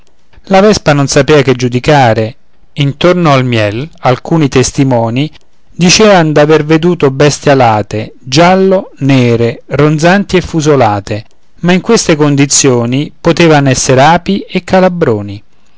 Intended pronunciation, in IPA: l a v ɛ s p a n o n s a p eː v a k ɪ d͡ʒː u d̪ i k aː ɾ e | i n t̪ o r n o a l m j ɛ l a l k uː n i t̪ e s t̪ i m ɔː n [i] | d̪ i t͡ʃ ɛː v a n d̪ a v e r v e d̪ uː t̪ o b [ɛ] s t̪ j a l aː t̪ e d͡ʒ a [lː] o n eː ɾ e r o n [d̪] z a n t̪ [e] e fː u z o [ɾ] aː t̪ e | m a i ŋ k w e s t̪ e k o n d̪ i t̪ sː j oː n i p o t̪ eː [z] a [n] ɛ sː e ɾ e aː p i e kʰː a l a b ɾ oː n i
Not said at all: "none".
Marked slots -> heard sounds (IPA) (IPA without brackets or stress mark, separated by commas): i, ɛ, lː, d̪, i, l, v, n